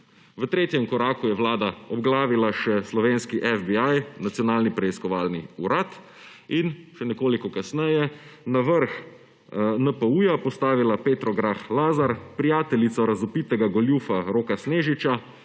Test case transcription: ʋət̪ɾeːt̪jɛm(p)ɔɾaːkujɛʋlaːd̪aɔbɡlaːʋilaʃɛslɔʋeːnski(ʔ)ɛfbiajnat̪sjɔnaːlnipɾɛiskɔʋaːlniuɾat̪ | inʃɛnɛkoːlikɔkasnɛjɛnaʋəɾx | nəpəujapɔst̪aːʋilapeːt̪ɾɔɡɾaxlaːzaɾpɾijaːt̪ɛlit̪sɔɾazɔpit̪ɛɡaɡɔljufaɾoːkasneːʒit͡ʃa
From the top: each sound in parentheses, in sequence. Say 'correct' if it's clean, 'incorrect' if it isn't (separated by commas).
incorrect, correct